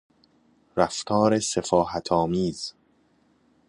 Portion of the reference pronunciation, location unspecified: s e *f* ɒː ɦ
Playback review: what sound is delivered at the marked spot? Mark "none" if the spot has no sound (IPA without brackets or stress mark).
f